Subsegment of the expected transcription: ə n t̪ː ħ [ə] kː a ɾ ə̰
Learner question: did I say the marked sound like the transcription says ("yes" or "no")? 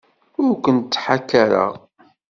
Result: no